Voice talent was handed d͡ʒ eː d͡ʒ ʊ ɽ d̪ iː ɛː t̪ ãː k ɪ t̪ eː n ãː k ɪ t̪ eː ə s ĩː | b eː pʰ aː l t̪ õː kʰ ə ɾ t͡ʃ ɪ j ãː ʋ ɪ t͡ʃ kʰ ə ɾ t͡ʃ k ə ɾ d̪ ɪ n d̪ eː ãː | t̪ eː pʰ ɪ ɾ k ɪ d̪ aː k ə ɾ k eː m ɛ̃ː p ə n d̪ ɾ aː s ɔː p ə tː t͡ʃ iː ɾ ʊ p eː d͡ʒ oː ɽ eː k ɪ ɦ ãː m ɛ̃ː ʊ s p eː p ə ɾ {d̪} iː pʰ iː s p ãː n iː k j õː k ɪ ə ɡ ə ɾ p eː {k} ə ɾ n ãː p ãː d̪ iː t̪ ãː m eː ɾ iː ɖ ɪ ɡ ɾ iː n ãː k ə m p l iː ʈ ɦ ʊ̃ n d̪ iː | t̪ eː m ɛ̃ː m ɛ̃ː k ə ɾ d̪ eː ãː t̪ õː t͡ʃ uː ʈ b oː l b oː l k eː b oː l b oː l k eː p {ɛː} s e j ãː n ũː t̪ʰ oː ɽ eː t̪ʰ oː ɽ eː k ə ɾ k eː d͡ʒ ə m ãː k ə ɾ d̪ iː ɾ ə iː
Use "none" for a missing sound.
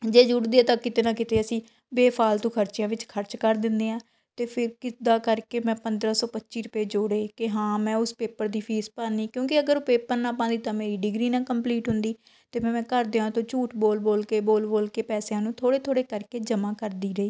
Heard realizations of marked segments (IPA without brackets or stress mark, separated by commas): d̪, p, ɛː